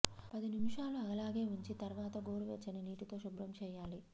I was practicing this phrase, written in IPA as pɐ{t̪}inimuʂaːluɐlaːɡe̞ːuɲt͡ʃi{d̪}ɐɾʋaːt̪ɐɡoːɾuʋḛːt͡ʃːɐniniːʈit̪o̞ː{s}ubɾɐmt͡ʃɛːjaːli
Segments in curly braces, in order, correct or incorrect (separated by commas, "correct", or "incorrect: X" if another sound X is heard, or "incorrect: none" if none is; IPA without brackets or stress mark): incorrect: d̪, incorrect: t̪, incorrect: ʃ